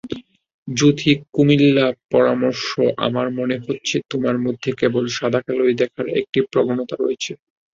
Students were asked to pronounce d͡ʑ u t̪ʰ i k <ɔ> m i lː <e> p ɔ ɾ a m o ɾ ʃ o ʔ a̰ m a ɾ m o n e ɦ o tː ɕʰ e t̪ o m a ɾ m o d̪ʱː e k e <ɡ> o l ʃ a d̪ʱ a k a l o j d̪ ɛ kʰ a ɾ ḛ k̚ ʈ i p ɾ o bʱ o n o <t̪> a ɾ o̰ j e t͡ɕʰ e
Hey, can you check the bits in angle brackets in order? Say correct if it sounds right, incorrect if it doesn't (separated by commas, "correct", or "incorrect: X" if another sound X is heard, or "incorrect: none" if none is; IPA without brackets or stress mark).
incorrect: u, incorrect: a, incorrect: b, correct